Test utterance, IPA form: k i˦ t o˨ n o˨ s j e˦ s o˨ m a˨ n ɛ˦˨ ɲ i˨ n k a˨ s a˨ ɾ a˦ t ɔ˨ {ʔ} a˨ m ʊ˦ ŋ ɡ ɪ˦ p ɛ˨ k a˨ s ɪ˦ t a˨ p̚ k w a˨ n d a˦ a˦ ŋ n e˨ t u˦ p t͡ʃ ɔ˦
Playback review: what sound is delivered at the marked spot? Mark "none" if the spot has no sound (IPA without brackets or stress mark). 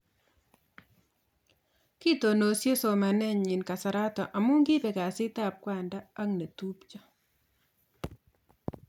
ʔ